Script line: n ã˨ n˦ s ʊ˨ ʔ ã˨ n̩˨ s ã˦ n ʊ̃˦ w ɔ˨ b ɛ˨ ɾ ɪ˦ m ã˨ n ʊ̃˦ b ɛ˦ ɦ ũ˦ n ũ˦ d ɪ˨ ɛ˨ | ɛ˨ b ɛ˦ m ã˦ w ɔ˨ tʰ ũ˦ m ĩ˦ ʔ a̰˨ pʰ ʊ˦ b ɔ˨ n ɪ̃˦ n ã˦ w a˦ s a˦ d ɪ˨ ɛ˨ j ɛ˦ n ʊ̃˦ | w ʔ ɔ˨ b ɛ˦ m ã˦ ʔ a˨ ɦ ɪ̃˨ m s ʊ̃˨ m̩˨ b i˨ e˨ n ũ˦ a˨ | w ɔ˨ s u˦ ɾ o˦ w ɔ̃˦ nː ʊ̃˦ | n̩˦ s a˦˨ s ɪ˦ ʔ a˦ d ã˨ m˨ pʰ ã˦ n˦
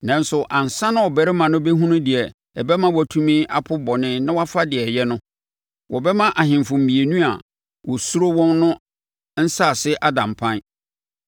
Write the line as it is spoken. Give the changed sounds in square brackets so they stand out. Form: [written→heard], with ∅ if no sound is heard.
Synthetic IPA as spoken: n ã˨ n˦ s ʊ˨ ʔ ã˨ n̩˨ s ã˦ n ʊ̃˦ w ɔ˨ b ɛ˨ ɾ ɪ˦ m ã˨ n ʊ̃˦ b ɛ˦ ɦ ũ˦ n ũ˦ d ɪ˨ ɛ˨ | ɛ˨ b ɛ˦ m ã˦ w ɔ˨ tʰ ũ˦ m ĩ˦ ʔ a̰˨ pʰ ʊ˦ b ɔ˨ n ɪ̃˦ n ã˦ w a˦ [s→f] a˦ d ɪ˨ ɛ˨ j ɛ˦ n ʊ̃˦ | w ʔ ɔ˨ b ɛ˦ m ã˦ ʔ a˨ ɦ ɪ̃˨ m [s→f] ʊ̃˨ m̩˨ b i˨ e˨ n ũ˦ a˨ | w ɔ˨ s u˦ ɾ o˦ w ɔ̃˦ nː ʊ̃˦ | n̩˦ s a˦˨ s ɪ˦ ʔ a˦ d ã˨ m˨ pʰ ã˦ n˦